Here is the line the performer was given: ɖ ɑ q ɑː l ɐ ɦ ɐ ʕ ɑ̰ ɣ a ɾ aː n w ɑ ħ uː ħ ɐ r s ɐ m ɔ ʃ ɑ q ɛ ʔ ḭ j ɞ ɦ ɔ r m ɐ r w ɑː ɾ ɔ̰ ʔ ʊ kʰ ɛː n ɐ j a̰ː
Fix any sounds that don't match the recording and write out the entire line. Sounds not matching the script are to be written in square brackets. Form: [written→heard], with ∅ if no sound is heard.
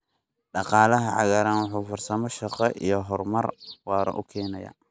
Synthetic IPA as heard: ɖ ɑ q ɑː l ɐ ɦ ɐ ʕ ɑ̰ ɣ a ɾ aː n w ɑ ħ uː [ħ→f] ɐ r s ɐ m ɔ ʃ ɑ q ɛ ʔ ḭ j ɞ ɦ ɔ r m ɐ r w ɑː ɾ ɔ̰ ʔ ʊ kʰ ɛː n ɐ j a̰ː